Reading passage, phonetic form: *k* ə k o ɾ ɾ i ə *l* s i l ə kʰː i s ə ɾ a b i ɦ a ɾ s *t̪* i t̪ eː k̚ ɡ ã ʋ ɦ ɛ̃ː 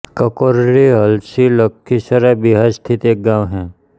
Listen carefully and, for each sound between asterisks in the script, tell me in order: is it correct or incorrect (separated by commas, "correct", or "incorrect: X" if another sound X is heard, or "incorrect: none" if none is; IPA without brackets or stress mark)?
correct, correct, incorrect: t̪ʰ